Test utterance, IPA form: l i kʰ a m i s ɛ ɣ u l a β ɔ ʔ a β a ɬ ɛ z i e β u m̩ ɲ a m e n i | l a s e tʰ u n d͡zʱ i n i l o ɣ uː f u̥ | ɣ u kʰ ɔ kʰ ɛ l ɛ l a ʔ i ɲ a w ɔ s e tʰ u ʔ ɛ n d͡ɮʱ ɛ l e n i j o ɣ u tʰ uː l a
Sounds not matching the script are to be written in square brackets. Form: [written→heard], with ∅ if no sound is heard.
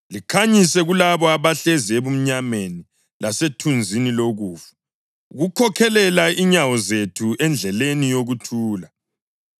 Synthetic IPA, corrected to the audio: l i kʰ a [m→ɲ] i s ɛ ɣ u l a β ɔ [ʔ→∅] a β a ɬ ɛ z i e β u m̩ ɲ a m e n i | l a s e tʰ u n d͡zʱ i n i l o ɣ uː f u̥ | ɣ u kʰ ɔ kʰ ɛ l ɛ l a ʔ i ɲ a w ɔ [s→z] e tʰ u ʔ ɛ n d͡ɮʱ ɛ l e n i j o ɣ u tʰ uː l a

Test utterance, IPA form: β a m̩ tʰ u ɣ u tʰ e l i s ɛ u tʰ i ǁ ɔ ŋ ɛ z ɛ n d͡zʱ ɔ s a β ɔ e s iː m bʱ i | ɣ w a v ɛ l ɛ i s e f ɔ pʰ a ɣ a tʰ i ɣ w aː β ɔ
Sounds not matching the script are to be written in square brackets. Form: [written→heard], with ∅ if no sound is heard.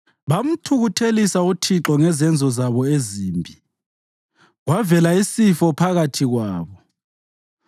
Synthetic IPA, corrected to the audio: β a m̩ tʰ u ɣ u tʰ e l i s [ɛ→a] u tʰ i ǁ ɔ ŋ ɛ z ɛ n d͡zʱ ɔ [s→z] a β ɔ e [s→z] iː m bʱ i | ɣ w a v ɛ l [ɛ→a] i s [e→i] f ɔ pʰ a ɣ a tʰ i ɣ w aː β ɔ

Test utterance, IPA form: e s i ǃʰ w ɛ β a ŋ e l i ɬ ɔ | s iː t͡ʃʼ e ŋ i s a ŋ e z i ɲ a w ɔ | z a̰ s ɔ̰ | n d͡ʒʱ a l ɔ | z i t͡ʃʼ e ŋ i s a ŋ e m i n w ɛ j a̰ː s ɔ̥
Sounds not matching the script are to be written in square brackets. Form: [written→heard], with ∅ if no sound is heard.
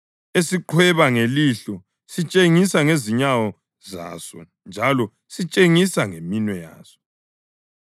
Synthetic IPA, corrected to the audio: e s i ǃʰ w ɛ β a ŋ e l i ɬ ɔ | s [iː→i] t͡ʃʼ e ŋ i s a ŋ e z i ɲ a w ɔ | z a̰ s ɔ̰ | n d͡ʒʱ a l ɔ | [z→s] i t͡ʃʼ e ŋ i s a ŋ e m i n w ɛ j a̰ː s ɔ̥

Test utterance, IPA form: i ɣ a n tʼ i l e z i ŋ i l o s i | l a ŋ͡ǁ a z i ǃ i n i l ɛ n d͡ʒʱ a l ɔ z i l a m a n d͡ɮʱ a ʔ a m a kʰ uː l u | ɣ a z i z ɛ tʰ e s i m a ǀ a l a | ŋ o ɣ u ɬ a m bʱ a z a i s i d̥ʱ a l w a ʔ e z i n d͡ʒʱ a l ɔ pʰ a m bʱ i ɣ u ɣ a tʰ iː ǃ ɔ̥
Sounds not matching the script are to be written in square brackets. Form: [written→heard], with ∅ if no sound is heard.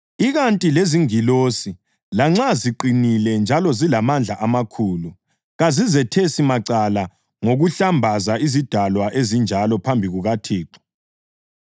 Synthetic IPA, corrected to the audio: i ɣ a n tʼ i l e z i ŋ i l o s i | l a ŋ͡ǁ a z i ǃ i n i l ɛ n d͡ʒʱ a l ɔ z i l a m a n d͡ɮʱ a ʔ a m a kʰ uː l u | ɣ a z i z ɛ tʰ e s i m a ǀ a l a | ŋ o ɣ u ɬ a m bʱ a z a i [s→z] i d̥ʱ a l w a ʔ e z i n d͡ʒʱ a l ɔ pʰ a m bʱ i ɣ u ɣ a tʰ iː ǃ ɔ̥

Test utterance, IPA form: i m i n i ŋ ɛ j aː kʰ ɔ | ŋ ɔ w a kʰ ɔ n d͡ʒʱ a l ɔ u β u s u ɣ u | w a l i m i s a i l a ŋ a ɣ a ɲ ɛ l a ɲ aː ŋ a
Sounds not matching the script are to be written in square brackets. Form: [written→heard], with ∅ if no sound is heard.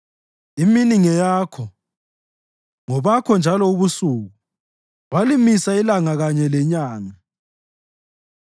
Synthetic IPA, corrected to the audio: i m i n i ŋ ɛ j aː kʰ ɔ | ŋ ɔ [w→β] a kʰ ɔ n d͡ʒʱ a l ɔ u β u s u ɣ u | w a l i m i s a i l a ŋ a ɣ a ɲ ɛ l [a→ɛ] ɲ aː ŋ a

